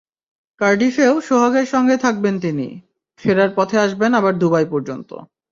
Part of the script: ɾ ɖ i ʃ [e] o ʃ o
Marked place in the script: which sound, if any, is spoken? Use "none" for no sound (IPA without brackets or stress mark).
e